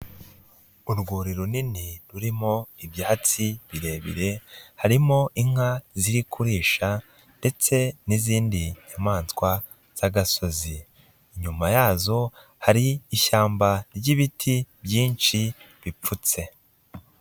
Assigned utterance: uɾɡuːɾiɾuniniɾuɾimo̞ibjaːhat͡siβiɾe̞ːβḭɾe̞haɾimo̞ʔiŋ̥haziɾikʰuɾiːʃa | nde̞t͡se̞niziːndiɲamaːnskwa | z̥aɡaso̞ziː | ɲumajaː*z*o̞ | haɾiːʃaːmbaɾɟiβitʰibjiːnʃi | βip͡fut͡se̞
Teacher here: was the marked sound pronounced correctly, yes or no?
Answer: yes